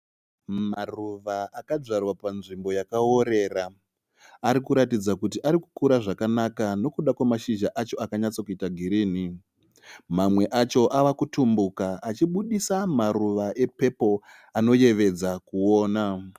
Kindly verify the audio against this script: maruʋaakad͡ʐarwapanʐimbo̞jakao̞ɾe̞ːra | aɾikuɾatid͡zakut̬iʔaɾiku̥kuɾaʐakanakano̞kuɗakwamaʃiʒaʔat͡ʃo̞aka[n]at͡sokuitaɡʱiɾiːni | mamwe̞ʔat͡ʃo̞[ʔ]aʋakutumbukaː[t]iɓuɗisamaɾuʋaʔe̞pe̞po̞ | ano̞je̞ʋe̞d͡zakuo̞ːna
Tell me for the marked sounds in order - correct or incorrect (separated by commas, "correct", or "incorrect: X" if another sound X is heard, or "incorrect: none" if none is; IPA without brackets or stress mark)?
incorrect: ɲ, correct, incorrect: t͡ʃ